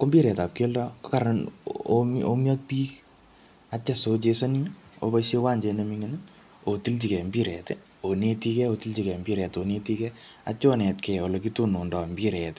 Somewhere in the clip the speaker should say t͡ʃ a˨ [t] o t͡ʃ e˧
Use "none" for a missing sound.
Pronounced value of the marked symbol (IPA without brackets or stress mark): s